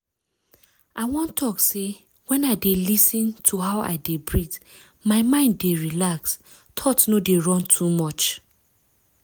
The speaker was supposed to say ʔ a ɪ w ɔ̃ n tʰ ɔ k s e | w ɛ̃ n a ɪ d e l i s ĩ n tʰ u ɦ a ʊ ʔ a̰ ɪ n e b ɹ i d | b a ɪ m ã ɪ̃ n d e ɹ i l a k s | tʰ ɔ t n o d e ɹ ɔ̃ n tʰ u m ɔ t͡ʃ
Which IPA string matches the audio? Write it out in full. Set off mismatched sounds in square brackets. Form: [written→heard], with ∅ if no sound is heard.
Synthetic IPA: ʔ a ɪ w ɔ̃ n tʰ ɔ k s e | w ɛ̃ n a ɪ d e l i s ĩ n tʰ u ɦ a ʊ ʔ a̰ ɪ [n→d] e b ɹ i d | [b→m] a ɪ m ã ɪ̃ n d e ɹ i l a k s | tʰ ɔ t n o d e ɹ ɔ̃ n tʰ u m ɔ t͡ʃ